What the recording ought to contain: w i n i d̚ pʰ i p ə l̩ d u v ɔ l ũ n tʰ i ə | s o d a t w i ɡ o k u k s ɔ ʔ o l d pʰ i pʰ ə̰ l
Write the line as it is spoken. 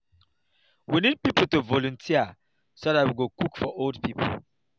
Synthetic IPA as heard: w i n i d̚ p i p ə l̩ t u v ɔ l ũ n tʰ i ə | s o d a t w i ɡ o k u k f ɔ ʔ o l d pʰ i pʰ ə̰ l